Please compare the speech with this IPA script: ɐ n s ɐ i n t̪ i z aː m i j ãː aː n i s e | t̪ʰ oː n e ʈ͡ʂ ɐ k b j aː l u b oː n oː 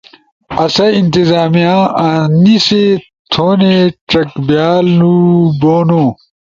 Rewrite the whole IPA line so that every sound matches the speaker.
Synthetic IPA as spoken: ɐ s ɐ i n t̪ i z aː m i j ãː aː n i s e | t̪ʰ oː n e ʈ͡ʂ ɐ k b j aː l u b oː n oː

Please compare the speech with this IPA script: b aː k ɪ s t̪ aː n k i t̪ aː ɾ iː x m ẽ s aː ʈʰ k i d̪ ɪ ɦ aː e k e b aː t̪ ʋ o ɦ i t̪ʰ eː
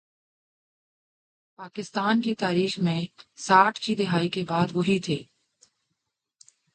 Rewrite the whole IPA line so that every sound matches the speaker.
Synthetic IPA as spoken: p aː k ɪ s t̪ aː n k i t̪ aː ɾ iː x m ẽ s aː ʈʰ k i d̪ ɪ ɦ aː i k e b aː d̪ ʋ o ɦ i t̪ʰ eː

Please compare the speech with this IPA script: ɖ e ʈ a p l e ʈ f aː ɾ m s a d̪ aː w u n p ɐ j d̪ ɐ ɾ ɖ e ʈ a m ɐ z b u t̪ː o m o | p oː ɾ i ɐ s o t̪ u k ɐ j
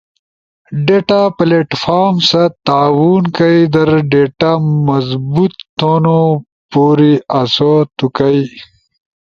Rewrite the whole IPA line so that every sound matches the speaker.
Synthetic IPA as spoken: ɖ e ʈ a p l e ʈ f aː ɾ m s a t̪ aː w u n k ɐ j d̪ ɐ ɾ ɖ e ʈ a m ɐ z b u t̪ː o n o | p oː ɾ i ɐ s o t̪ u k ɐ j

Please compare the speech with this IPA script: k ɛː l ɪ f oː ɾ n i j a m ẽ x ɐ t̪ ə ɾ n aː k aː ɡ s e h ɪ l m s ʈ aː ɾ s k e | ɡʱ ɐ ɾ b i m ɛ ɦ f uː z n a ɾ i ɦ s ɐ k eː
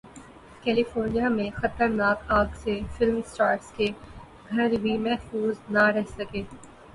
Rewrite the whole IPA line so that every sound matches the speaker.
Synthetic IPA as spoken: k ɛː l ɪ f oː ɾ n i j a m ẽ x ɐ t̪ ə ɾ n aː k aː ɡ s e f ɪ l m s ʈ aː ɾ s k e | ɡʱ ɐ ɾ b i m ɛ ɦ f uː z n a ɾ ɛ ɦ s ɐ k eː

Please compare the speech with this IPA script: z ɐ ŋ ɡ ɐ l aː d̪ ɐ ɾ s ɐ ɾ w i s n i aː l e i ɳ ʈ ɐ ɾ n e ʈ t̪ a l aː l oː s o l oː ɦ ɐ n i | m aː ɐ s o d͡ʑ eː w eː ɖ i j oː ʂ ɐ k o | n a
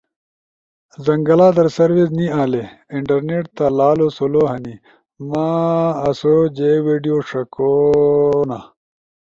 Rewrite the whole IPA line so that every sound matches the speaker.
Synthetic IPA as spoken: z ɐ ŋ ɡ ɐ l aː d̪ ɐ ɾ s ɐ ɾ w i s n i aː l e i ɳ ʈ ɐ ɾ n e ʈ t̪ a l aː l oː s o l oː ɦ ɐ n i | m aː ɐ s o d͡ʑ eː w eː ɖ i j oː ʂ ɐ k o | n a

